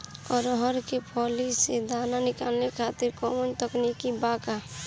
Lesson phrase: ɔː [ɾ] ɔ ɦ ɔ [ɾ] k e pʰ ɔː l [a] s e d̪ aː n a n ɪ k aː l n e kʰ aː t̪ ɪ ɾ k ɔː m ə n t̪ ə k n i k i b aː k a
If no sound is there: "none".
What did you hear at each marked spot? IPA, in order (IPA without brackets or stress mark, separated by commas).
ɾ, ɾ, i